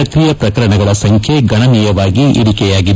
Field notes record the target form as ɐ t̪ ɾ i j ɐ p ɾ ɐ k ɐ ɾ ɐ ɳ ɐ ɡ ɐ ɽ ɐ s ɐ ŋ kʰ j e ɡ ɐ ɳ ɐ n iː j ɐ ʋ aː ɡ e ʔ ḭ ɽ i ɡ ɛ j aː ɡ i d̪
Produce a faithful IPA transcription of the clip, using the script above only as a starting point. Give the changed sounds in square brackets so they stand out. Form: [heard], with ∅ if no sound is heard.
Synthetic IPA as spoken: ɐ t̪ ɾ i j ɐ p ɾ ɐ k ɐ ɾ ɐ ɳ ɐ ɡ ɐ [ɭ] ɐ s ɐ ŋ kʰ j e ɡ ɐ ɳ ɐ n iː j ɐ ʋ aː ɡ [i] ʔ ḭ ɽ i [k] ɛ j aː ɡ i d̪